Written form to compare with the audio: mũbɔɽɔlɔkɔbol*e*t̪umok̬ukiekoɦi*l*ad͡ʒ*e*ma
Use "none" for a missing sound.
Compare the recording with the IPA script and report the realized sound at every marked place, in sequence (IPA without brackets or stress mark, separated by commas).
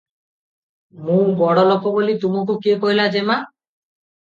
i, l, e